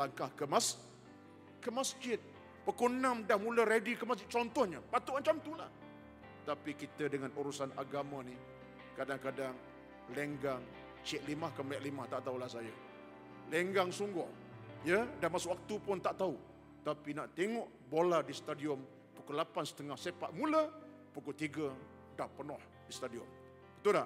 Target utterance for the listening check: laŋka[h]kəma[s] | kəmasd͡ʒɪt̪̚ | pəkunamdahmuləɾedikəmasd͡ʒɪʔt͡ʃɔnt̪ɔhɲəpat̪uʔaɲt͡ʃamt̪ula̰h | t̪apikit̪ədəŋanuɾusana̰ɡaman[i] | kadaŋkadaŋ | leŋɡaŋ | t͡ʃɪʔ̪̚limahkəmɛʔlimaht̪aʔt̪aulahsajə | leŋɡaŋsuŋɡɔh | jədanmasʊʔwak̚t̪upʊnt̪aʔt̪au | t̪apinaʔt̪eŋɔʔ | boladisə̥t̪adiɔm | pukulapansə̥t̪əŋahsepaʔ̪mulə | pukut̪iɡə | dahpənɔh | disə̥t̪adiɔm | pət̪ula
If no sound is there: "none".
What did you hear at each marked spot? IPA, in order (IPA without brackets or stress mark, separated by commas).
h, s, i